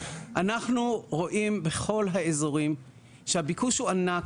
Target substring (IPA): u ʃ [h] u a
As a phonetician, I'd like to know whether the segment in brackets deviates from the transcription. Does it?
no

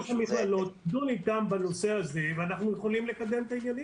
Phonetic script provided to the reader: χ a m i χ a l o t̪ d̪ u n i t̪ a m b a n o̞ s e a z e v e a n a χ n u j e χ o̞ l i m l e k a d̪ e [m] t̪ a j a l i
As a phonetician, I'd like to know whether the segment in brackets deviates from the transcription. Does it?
no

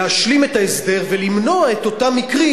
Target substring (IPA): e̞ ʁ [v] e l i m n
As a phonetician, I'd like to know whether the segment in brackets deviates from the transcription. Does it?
no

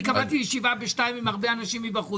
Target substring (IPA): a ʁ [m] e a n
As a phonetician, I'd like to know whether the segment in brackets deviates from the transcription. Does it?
yes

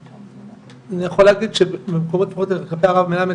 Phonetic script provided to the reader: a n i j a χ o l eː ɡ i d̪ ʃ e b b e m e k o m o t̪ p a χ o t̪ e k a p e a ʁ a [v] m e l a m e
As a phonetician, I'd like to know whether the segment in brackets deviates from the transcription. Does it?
no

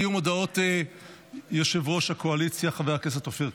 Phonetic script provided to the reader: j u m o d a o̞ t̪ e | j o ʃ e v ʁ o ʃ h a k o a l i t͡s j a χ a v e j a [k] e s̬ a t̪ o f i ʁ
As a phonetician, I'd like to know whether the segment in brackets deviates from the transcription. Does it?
no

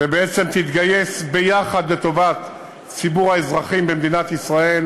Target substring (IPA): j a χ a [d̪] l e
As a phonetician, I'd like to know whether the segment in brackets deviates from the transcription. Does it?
no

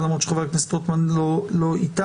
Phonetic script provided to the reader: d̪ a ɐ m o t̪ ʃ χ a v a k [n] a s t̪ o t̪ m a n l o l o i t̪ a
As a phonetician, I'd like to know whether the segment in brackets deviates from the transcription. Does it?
no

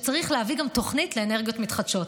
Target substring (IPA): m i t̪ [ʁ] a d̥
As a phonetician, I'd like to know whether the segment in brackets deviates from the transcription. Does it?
yes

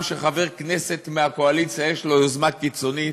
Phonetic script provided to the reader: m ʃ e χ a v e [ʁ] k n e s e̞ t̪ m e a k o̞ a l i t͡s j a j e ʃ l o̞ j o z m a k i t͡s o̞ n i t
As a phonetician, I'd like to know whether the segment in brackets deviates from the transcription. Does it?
no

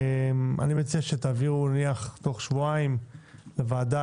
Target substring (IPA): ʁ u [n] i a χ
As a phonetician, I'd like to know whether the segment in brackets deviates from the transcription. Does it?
no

